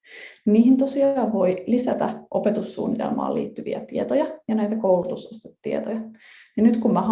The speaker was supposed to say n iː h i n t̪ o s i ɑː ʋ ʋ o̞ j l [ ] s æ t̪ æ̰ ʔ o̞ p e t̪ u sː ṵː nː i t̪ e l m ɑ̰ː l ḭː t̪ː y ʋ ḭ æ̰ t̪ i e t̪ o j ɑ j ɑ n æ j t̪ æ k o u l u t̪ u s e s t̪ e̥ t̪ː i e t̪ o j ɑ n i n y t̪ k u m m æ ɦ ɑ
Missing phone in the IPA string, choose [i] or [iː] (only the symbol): i